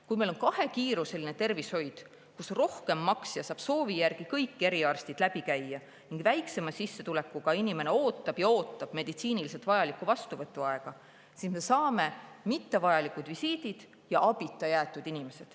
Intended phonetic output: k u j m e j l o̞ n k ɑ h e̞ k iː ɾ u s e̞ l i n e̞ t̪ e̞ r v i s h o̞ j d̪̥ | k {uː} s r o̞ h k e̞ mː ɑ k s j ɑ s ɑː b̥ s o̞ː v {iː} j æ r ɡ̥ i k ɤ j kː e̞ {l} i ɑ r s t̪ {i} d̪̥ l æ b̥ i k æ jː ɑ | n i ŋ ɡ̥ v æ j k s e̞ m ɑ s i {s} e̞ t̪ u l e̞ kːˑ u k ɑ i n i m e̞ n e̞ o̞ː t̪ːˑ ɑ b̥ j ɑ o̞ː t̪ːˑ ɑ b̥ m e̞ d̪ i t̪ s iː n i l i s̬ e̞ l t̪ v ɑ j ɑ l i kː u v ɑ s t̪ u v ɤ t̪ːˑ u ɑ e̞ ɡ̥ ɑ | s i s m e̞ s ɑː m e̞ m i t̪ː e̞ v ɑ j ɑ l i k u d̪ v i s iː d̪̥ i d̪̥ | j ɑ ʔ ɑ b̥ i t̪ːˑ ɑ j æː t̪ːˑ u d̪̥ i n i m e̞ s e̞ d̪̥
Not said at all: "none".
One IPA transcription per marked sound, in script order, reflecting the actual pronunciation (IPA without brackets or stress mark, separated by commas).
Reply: u, i, ɾ, i, sː